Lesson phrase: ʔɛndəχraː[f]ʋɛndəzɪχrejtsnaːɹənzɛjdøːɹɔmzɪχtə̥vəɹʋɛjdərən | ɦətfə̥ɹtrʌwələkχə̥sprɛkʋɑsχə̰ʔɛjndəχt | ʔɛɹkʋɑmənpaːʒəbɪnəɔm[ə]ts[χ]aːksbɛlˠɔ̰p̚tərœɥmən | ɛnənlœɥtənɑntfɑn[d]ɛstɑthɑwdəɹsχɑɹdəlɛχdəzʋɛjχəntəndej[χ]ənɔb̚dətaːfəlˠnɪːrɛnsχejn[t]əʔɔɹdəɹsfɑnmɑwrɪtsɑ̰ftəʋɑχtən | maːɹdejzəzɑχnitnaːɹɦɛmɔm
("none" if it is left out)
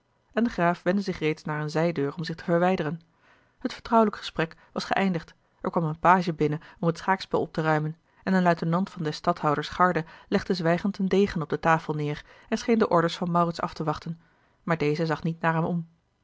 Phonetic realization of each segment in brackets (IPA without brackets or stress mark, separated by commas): f, ə, χ, d, χ, d